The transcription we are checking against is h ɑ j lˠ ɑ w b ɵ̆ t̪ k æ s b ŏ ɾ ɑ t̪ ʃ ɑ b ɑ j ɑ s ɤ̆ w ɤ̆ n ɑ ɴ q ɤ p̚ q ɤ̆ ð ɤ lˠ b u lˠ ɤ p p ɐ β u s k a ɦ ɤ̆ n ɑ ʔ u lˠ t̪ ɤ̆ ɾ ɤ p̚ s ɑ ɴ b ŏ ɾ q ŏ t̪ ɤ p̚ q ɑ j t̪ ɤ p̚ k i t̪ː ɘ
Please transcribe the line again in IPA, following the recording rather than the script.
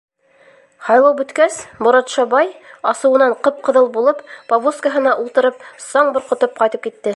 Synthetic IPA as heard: h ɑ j lˠ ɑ w b ɵ̆ t̪ k æ s b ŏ ɾ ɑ t̪ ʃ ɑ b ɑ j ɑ s ɤ̆ w ɤ̆ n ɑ ɴ q ɤ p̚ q ɤ̆ ð ɤ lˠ b u lˠ ɤ p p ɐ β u s k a ɦ ɤ̆ n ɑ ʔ u lˠ t̪ ɤ̆ ɾ ɤ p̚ s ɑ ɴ b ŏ ɾ q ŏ t̪ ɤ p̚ q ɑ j t̪ ɤ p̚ k i t̪ː ɘ

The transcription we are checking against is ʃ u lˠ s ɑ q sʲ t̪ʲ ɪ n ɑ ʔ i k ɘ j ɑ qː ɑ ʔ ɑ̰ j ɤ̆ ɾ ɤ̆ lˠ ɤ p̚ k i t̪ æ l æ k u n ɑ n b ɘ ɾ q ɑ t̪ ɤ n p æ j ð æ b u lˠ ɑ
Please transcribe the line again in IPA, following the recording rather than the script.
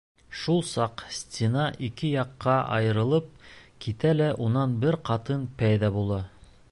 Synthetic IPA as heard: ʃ u lˠ s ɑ q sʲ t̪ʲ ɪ n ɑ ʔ i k ɘ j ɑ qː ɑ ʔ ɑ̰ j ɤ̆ ɾ ɤ̆ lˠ ɤ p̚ k i t̪ æ l æ ʔ u n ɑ n b ɘ ɾ q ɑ t̪ ɤ n p æ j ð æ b u lˠ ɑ

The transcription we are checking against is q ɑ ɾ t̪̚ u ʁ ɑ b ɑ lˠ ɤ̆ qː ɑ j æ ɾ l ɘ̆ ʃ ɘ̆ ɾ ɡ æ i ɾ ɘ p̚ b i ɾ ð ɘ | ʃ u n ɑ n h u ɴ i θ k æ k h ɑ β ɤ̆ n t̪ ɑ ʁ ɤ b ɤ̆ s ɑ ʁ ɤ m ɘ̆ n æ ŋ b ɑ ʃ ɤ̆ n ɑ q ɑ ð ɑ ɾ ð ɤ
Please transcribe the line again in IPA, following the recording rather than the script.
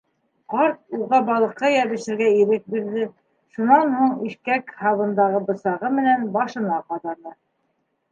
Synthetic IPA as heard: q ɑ ɾ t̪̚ u ʁ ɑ b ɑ lˠ ɤ̆ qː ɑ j æ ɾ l ɘ̆ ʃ ɘ̆ ɾ ɡ æ i ɾ ɘ k̚ b i ɾ ð ɘ | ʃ u n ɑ n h u ɴ i ʃ k æ k h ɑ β ɤ̆ n d̪ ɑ ʁ ɤ b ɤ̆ s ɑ ʁ ɤ m ɘ̆ n æ n b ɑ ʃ ɤ̆ n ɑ q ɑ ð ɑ ɾ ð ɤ

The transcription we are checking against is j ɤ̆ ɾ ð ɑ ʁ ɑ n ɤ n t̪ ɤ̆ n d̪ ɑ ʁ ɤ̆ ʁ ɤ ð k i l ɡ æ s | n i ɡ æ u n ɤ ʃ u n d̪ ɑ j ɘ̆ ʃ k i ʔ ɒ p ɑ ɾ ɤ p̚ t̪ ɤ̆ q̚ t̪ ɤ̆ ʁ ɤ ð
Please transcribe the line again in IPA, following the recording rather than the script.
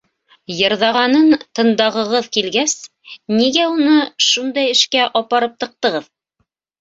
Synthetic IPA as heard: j ɤ̆ ɾ ð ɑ ʁ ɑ n ɤ n t̪ ɤ̆ n d̪ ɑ ʁ ɤ̆ ʁ ɤ ð k i l ɡ æ s | n i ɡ æ u n ɤ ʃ u n d̪ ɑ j ɘ̆ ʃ k æ ʔ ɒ p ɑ ɾ ɤ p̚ t̪ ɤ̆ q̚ t̪ ɤ̆ ʁ ɤ ð

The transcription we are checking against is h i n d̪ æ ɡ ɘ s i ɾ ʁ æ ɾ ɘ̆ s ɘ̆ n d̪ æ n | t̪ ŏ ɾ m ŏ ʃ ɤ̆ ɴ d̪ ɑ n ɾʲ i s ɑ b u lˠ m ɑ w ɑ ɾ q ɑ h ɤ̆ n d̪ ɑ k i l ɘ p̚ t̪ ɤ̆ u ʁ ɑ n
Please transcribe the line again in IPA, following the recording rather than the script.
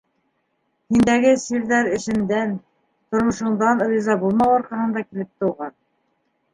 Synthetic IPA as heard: h i n d̪ æ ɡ ɘ s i ɾ ð æ ɾ ɘ̆ ʃ ɘ̆ n d̪ æ n | t̪ ŏ ɾ m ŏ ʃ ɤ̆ ɴ d̪ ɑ n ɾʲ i z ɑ b u lˠ m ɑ w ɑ ɾ q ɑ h ɤ̆ n d̪ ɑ k i l ɘ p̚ t̪ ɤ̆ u ʁ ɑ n

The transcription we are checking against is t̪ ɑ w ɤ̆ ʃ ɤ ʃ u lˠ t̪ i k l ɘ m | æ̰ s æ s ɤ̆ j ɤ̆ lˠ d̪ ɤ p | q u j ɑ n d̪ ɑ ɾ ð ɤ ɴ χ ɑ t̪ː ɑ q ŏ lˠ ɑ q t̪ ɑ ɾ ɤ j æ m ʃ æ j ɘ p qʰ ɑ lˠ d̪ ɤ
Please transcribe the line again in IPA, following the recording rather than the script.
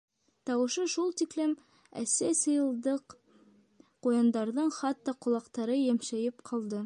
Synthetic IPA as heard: t̪ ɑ w ɤ̆ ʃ ɤ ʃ u lˠ t̪ i k l ɘ m | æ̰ s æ s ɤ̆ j ɤ̆ lˠ d̪ ɤ q | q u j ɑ n d̪ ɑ ɾ ð ɤ ɴ χ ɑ t̪ː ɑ q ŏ lˠ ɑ q t̪ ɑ ɾ ɤ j æ m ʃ æ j ɘ p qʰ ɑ lˠ d̪ ɤ

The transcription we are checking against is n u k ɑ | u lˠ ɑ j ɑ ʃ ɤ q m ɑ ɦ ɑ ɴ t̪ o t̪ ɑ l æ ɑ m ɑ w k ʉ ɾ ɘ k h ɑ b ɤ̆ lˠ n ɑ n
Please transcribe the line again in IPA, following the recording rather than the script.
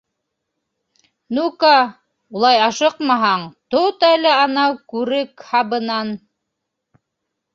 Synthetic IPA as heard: n u k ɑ | u lˠ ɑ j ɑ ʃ ɤ q m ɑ ɦ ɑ ɴ t̪ o t̪ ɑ l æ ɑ n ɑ w k ʉ ɾ ɘ k h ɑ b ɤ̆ n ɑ n

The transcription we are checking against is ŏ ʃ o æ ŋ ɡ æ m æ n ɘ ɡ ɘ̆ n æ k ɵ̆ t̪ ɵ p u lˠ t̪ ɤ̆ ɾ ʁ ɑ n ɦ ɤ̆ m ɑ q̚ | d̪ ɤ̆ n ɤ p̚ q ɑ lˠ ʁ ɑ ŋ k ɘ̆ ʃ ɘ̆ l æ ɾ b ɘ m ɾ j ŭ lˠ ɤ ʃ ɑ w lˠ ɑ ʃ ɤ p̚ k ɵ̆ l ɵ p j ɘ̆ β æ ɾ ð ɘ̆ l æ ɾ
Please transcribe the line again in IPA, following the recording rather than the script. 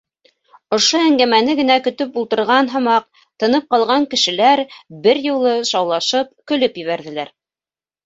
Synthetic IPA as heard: ŏ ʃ o æ ŋ ɡ æ m æ n ɘ ɡ ɘ̆ n æ k ɵ̆ t̪ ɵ p u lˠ t̪ ɤ̆ ɾ ʁ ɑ n ɦ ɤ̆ m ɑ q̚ | t̪ ɤ̆ n ɤ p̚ q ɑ lˠ ʁ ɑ ŋ k ɘ̆ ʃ ɘ̆ l æ ɾ b ɘ ɾ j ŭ lˠ ɤ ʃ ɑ w lˠ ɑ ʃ ɤ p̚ k ɵ̆ l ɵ p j ɘ̆ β æ ɾ ð ɘ̆ l æ ɾ

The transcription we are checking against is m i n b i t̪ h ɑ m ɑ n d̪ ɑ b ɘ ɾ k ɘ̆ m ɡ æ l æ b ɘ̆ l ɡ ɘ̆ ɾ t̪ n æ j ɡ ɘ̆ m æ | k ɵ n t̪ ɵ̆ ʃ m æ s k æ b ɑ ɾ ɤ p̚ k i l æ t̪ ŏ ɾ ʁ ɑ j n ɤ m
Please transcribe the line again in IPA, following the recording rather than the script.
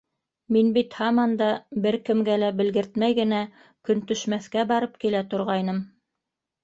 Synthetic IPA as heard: m i n b i t̪ h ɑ m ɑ n d̪ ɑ b ɘ ɾ k ɘ̆ m ɡ æ l æ b ɘ̆ l ɡ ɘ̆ ɾ t̪ m æ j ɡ ɘ̆ n æ | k ɵ n t̪ ɵ̆ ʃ m æ θ k æ b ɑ ɾ ɤ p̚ k i l æ t̪ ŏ ɾ ʁ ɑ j n ɤ m

